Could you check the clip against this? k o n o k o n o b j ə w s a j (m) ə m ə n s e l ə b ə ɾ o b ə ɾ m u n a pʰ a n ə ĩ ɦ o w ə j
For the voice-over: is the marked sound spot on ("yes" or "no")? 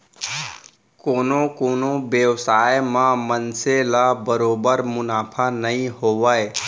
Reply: yes